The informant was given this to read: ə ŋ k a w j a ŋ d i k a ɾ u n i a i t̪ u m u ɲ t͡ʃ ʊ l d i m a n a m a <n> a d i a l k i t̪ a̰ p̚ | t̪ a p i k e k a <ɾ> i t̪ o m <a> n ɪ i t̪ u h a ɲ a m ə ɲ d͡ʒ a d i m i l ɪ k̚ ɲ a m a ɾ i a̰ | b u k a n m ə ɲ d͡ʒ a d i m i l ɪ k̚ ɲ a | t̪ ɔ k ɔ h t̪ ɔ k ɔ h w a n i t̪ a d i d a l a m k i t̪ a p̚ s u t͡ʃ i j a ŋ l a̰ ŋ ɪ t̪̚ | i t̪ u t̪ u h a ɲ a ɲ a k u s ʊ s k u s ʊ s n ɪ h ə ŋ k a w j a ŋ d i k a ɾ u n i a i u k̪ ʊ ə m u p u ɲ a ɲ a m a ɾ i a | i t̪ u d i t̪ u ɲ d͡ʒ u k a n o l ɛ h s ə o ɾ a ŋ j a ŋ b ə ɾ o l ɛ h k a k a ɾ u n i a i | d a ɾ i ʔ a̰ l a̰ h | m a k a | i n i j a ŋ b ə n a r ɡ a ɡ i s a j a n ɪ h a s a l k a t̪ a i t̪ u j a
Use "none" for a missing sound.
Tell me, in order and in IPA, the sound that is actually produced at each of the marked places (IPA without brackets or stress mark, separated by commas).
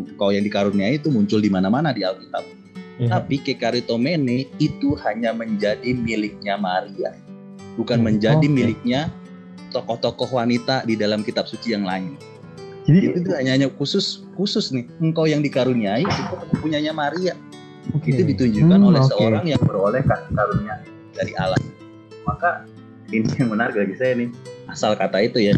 n, ɾ, e